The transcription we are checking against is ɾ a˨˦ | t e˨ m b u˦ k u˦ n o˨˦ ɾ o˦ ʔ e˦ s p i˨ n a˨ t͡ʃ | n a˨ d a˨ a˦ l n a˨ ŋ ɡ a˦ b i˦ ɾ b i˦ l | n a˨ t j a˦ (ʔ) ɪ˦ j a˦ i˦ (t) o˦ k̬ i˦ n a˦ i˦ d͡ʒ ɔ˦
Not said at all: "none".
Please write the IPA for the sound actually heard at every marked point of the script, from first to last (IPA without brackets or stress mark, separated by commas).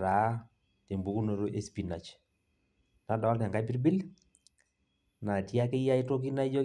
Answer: k, t